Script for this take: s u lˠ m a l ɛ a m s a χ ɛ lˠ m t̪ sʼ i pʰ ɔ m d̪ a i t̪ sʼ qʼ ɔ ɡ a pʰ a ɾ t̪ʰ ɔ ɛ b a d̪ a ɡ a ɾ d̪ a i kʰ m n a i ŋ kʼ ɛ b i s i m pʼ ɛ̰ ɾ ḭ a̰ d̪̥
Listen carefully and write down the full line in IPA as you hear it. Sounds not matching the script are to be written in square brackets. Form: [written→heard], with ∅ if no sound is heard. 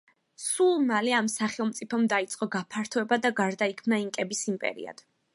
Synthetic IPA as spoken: s u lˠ m a l ɛ a m s a χ ɛ lˠ m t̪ sʼ i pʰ ɔ m d̪ a i t̪ sʼ qʼ ɔ ɡ a pʰ a ɾ t̪ʰ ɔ ɛ b a d̪ a ɡ a ɾ d̪ a i kʰ m n a i ŋ kʼ ɛ b i s i m pʼ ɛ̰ ɾ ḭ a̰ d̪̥